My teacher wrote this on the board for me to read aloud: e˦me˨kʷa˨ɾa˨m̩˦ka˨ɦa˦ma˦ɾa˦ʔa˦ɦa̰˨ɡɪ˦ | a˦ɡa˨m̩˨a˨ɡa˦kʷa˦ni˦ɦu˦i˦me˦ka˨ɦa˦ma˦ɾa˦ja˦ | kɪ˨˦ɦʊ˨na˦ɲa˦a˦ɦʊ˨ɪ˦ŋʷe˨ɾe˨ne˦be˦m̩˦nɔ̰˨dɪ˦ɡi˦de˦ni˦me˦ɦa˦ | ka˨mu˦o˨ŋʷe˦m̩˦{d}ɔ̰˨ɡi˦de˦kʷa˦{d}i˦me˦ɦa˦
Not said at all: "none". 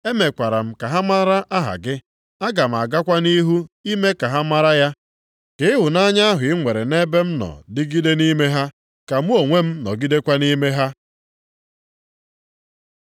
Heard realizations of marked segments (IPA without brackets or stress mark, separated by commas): n, n